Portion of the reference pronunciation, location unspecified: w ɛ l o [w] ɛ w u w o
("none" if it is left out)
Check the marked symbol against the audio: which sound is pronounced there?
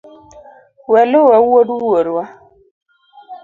w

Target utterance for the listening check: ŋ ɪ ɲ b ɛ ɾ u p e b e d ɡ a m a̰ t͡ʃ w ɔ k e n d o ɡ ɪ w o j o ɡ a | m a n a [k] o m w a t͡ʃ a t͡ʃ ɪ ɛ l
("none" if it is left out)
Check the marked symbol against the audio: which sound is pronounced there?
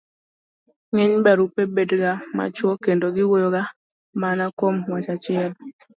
k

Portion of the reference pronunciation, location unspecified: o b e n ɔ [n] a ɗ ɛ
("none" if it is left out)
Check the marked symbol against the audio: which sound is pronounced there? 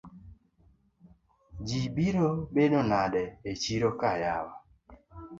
n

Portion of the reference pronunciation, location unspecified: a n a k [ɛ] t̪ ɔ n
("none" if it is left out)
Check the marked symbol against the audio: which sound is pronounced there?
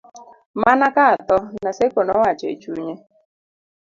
a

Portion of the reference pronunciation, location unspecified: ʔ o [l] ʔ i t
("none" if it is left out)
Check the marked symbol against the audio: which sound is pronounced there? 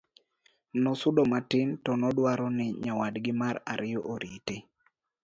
ɾ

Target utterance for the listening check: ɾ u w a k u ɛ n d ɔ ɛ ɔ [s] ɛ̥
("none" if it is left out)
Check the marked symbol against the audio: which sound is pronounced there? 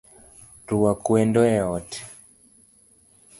t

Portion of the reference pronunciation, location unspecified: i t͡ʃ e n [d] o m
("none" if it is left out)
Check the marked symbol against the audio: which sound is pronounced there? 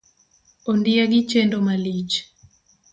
d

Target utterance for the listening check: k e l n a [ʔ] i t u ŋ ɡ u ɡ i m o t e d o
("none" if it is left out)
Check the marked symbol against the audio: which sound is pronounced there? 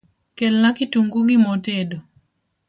k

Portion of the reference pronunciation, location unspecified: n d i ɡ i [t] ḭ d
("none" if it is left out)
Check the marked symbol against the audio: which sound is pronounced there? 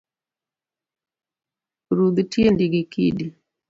k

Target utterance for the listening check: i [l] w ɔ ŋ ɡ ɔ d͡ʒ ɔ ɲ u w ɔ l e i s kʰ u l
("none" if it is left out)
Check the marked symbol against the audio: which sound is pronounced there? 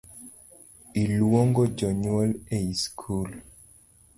l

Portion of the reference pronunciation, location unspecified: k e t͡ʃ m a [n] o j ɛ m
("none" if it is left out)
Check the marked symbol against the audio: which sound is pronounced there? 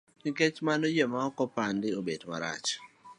n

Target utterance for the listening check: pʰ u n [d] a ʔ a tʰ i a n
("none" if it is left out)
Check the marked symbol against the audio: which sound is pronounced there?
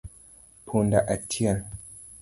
d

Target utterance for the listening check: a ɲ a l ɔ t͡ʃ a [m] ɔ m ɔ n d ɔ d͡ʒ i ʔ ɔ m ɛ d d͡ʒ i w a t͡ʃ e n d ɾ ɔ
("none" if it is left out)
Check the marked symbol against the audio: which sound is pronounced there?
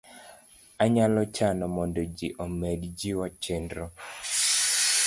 n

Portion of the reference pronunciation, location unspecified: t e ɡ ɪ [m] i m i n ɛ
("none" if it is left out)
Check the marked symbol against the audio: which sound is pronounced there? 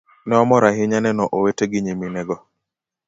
ɲ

